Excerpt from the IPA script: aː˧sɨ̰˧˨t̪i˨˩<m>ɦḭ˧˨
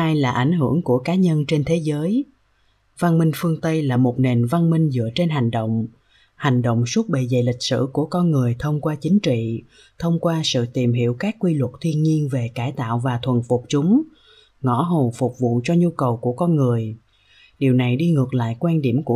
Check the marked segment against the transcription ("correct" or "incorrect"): correct